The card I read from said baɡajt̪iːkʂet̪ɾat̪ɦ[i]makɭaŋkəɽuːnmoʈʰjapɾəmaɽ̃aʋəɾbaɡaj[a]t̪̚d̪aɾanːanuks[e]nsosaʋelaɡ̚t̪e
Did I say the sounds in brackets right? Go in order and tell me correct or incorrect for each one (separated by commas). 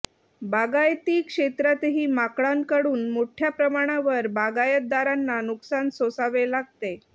incorrect, incorrect, incorrect